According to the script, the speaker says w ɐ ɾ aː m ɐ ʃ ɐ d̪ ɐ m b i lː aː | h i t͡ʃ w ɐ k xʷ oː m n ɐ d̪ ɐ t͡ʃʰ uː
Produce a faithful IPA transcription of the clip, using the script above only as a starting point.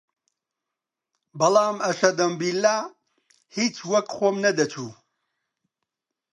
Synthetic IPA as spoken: b ɐ l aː m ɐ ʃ ɐ d̪ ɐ m b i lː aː | h i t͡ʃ w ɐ k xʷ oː m n ɐ d̪ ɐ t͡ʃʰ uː